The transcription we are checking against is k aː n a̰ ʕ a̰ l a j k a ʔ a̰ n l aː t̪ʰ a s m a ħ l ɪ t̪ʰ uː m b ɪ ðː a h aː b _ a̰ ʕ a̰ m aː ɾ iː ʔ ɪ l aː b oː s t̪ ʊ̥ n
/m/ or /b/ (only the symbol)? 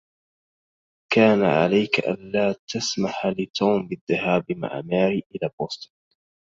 m